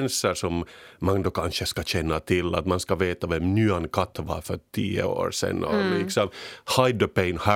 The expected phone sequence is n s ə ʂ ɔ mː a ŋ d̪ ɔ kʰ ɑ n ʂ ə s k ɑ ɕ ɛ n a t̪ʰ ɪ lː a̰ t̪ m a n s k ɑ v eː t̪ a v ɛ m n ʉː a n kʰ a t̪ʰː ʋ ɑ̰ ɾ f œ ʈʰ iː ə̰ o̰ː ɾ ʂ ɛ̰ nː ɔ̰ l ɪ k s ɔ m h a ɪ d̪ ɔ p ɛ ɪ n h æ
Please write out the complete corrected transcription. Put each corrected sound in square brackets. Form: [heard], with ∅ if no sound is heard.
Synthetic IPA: n s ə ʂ ɔ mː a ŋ d̪ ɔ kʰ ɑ n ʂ ə s k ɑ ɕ ɛ [nː] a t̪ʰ ɪ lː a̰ t̪ m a n s k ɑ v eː t̪ a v ɛ m n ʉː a n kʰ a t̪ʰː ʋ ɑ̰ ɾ f œ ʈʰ iː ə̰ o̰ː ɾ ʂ ɛ̰ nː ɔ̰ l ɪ k s ɔ m h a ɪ d̪ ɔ p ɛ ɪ n h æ